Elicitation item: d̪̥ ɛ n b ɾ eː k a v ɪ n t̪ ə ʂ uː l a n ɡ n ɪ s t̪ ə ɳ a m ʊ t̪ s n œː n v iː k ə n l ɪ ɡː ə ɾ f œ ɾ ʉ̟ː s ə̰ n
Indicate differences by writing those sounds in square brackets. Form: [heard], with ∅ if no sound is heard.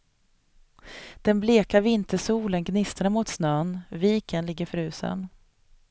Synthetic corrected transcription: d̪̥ ɛ n b [l] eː k a v ɪ n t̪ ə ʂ uː l [ə] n ɡ n ɪ s t̪ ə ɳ a m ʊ t̪ s n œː n v iː k ə n l ɪ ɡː ə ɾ f œ ɾ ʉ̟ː s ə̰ n